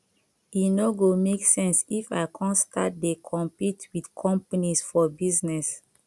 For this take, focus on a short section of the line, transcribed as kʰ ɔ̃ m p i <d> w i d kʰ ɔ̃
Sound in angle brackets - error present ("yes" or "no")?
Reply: yes